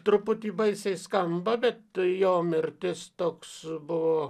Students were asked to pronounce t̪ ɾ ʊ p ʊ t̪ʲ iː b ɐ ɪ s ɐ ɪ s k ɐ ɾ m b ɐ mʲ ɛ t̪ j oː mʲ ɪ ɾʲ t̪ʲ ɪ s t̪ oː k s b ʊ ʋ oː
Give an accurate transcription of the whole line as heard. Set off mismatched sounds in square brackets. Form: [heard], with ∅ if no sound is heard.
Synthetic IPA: t̪ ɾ ʊ p ʊ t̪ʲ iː b ɐ ɪ s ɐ ɪ s k ɐ [∅] m b ɐ [bʲ] ɛ t̪ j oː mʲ ɪ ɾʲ t̪ʲ ɪ s t̪ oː k s b ʊ ʋ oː